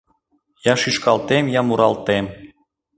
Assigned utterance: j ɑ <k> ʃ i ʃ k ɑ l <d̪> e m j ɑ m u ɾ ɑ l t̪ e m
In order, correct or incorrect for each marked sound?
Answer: incorrect, incorrect

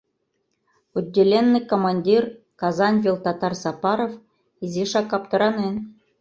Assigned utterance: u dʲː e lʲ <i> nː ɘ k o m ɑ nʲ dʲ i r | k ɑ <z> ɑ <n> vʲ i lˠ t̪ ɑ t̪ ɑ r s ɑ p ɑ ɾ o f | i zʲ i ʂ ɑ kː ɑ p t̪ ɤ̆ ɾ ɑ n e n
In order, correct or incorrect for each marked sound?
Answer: incorrect, correct, correct

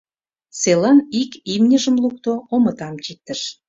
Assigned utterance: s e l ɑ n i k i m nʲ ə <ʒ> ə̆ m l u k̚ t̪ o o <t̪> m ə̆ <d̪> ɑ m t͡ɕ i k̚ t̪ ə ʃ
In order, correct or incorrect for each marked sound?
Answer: correct, incorrect, incorrect

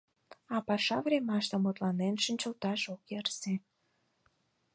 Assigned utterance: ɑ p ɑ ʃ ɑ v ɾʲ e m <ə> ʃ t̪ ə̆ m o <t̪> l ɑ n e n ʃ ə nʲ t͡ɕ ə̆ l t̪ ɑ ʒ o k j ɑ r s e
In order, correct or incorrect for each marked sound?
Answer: incorrect, correct

